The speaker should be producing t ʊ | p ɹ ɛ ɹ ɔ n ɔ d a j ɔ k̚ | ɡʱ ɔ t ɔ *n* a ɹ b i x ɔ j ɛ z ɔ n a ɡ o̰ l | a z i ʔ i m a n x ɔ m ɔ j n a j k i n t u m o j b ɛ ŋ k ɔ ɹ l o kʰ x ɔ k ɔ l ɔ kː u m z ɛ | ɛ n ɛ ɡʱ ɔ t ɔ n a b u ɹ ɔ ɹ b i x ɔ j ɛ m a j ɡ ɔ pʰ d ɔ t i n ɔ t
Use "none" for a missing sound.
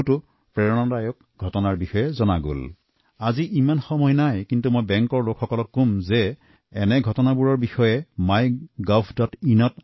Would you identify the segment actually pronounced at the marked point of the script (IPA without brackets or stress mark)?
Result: n